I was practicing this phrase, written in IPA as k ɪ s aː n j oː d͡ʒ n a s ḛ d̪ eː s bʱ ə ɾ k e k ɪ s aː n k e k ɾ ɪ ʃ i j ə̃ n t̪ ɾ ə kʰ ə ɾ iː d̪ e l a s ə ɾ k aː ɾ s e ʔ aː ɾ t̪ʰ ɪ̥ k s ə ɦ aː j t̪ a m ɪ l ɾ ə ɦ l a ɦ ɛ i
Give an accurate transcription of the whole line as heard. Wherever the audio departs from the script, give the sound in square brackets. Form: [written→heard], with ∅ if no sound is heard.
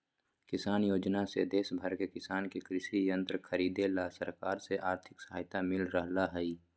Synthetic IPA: k ɪ s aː n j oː d͡ʒ n a s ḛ d̪ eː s bʱ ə ɾ k e k ɪ s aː n k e k ɾ ɪ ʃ i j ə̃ n t̪ ɾ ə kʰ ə ɾ iː d̪ e l a s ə ɾ k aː ɾ s e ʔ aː ɾ t̪ʰ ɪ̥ k s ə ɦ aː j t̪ a m ɪ l ɾ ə ɦ l a ɦ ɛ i